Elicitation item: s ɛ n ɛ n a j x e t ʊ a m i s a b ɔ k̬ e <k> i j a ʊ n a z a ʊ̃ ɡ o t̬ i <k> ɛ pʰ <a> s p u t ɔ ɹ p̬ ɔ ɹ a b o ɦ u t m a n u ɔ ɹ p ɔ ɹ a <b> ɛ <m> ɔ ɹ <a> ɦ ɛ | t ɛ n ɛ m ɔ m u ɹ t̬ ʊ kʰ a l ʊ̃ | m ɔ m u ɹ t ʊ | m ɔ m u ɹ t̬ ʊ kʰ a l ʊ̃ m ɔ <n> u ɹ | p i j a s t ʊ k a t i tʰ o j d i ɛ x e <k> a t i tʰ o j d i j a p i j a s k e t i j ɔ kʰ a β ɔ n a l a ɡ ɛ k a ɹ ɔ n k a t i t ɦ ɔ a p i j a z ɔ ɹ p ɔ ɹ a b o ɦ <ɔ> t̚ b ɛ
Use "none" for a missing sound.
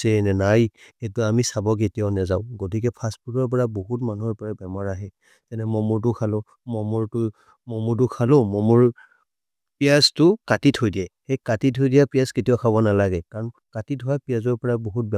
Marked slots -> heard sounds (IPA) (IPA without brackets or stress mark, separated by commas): t, k, a, b, m, a, m, k, u